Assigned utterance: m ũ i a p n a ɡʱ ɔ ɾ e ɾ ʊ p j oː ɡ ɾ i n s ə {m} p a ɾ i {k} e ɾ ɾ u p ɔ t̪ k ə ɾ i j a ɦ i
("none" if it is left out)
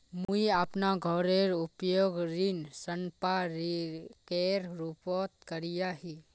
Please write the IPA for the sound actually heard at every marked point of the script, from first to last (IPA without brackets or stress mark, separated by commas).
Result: n, k